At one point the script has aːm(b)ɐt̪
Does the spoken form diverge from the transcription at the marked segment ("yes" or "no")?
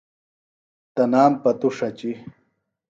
yes